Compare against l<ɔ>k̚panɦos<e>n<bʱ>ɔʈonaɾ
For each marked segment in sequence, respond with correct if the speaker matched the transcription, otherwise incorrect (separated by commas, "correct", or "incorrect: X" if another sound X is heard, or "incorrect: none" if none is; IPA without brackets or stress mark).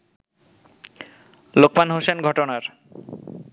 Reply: incorrect: o, correct, incorrect: ɡʱ